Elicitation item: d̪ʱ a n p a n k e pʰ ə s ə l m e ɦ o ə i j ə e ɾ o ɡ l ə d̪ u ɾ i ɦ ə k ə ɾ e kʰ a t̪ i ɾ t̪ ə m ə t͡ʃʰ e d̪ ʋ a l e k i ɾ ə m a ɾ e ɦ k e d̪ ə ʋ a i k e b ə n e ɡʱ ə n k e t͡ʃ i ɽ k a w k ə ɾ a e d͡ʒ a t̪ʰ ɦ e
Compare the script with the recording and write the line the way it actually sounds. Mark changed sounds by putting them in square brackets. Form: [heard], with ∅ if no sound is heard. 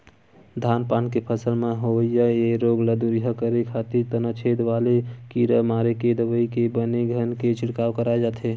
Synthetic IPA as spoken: d̪ʱ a n p a n k e pʰ ə s ə l m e ɦ o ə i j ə e ɾ o ɡ l ə d̪ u ɾ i ɦ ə k ə ɾ e kʰ a t̪ i ɾ t̪ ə [n] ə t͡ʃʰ e d̪ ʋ a l e k i ɾ ə m a ɾ e [∅] k e d̪ ə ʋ [ə] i k e b ə n e ɡʱ ə n k e t͡ʃ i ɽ k a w k ə ɾ a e d͡ʒ a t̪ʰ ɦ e

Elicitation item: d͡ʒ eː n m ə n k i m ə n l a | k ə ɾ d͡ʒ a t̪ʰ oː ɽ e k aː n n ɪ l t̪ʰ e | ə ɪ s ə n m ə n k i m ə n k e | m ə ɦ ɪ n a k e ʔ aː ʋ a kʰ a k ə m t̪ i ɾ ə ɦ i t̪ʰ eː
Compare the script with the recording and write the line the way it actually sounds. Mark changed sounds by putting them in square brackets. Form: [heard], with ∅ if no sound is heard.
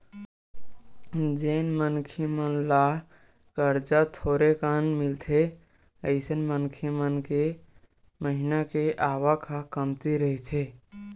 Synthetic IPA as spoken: d͡ʒ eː n m ə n [kʰ] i m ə n l a | k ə ɾ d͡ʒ a t̪ʰ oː [ɾ] e k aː n [m] ɪ l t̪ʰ e | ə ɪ s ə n m ə n [kʰ] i m ə n k e | m ə ɦ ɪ n a k e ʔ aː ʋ a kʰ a k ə m t̪ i ɾ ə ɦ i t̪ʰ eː

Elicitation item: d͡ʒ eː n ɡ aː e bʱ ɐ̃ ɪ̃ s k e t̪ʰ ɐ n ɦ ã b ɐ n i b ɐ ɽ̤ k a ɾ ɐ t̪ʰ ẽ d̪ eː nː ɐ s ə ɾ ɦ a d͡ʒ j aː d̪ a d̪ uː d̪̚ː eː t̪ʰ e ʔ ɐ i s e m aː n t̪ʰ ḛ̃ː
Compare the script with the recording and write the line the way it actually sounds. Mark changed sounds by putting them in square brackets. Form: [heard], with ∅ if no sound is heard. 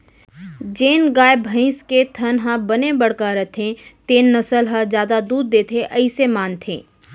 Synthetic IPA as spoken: d͡ʒ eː n ɡ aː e bʱ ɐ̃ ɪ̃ s k e t̪ʰ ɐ n ɦ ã b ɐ n [e] b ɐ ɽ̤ k a ɾ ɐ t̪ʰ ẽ [t̪] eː nː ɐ s ə [l] ɦ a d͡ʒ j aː d̪ a d̪ uː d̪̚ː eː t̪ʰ e ʔ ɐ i s e m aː n t̪ʰ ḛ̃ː

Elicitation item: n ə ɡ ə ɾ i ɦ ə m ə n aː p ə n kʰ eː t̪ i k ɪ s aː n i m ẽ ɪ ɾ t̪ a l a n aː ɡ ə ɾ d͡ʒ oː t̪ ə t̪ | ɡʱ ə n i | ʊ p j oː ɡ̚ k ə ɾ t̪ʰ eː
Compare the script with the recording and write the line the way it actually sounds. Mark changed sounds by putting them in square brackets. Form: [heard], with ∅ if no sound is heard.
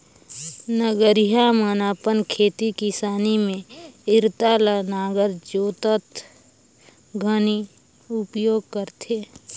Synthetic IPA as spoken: n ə ɡ ə ɾ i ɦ [a] m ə n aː p ə n kʰ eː t̪ i k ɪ s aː n i m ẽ ɪ ɾ t̪ a l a n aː ɡ ə ɾ d͡ʒ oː t̪ ə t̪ | ɡʱ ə n i | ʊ p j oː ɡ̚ k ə ɾ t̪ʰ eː

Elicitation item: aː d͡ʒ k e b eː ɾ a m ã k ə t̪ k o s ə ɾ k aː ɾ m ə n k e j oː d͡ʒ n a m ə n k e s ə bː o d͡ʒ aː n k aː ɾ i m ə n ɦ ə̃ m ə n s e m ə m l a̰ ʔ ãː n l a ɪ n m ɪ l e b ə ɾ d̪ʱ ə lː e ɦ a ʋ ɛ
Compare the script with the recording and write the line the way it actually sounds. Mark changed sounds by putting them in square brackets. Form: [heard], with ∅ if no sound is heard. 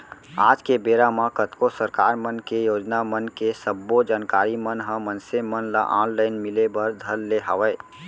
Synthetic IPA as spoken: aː d͡ʒ k e b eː ɾ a m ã k ə t̪ k o s ə ɾ k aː ɾ m ə n k e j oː d͡ʒ n a m ə n k e s ə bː o d͡ʒ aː n k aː ɾ i m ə n ɦ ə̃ m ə n s e m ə [n] l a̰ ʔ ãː n l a ɪ n m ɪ l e b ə ɾ d̪ʱ ə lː e ɦ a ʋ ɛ

